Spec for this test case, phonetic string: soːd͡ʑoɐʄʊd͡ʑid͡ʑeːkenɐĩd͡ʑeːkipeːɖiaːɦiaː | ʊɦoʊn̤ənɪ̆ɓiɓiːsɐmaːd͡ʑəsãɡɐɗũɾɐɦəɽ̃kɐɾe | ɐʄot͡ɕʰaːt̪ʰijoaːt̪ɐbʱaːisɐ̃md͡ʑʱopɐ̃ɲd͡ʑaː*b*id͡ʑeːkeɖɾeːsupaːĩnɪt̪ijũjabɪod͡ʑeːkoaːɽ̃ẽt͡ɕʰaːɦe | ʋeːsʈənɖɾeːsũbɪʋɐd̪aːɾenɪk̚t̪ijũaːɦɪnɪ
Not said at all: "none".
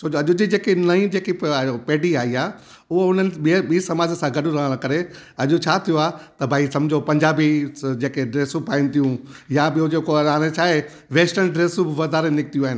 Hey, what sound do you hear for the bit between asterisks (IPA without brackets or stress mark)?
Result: b